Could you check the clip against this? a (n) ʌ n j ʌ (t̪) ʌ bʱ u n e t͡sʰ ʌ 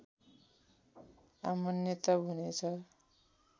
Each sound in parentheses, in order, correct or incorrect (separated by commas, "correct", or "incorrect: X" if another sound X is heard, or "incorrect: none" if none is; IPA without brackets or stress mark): incorrect: m, correct